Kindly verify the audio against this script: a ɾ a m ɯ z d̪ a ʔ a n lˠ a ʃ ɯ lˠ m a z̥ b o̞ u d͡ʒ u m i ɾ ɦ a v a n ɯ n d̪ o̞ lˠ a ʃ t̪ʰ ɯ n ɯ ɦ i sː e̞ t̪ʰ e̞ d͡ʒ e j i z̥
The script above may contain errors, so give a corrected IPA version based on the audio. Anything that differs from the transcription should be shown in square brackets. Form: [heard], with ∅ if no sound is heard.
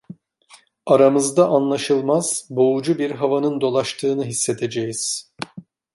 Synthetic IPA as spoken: a ɾ a m ɯ z d̪ a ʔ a n lˠ a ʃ ɯ lˠ m a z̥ b o̞ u d͡ʒ u [b] i ɾ ɦ a v a n ɯ n d̪ o̞ lˠ a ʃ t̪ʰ [ɯː] n ɯ ɦ i sː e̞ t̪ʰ e̞ d͡ʒ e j i z̥